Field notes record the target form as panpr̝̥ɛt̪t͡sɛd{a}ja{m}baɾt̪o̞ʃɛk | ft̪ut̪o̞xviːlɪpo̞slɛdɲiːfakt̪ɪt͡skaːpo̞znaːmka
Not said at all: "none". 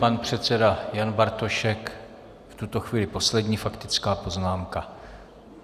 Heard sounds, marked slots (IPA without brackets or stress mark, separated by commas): a, n